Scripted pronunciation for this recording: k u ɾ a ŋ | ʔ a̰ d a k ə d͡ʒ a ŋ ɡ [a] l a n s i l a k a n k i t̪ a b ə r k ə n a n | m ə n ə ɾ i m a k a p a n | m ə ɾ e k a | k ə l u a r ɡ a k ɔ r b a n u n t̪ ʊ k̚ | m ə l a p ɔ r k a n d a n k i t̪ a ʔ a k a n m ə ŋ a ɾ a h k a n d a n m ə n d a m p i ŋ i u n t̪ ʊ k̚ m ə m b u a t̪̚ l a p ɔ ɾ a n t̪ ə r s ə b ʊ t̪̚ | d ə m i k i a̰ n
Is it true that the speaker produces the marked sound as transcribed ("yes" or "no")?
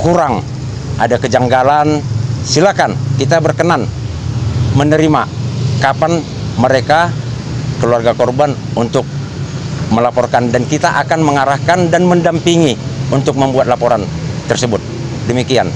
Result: yes